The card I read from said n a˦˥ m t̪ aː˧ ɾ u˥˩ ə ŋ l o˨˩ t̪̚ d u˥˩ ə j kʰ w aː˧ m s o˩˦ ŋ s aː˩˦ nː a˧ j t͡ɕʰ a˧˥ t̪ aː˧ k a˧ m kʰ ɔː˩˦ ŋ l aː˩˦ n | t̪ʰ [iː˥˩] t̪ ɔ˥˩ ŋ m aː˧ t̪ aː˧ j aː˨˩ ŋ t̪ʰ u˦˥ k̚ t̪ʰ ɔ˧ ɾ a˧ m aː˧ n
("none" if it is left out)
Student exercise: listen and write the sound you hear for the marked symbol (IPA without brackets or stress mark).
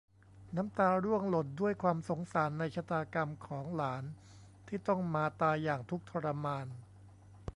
iː˥˩